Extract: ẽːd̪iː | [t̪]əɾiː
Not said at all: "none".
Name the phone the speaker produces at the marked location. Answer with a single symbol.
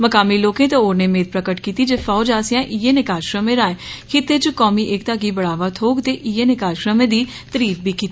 t̪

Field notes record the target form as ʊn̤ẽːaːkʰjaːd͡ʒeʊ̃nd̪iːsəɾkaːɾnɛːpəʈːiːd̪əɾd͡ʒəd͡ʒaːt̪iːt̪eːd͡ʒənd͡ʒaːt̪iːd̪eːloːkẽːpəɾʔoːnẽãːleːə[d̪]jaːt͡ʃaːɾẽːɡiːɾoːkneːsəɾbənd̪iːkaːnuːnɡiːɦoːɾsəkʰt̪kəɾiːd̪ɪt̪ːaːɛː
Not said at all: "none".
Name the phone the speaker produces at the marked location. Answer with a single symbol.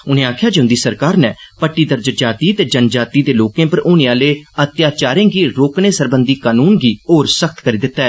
t̪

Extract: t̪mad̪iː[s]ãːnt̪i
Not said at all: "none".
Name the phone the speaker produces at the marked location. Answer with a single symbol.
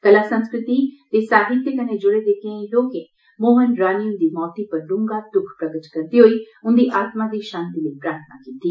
ʃ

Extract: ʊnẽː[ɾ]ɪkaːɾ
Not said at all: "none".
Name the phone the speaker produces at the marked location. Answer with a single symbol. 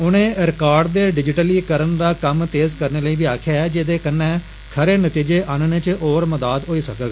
ɾ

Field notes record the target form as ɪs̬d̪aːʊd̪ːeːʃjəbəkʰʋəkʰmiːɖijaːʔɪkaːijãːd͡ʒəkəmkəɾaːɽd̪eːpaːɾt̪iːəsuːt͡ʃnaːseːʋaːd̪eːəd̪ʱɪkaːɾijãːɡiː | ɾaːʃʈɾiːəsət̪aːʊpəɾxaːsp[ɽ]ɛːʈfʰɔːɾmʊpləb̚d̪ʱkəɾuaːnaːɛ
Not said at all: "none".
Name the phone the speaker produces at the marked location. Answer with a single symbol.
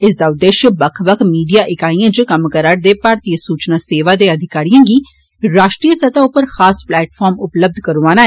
l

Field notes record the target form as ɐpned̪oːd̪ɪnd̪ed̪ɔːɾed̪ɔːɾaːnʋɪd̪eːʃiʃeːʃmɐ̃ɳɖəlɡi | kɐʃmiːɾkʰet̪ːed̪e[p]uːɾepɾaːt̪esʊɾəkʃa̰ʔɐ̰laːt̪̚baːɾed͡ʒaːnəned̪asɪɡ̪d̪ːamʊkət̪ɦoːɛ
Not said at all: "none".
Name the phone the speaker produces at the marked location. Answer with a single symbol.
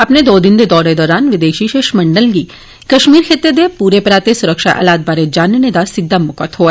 p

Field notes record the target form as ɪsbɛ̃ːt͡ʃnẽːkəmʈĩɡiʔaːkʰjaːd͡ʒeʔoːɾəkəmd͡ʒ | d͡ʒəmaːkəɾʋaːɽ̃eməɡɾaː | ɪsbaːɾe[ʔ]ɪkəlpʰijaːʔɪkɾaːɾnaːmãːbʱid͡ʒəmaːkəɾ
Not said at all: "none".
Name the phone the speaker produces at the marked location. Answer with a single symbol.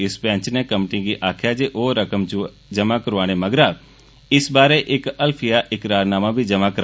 ʔ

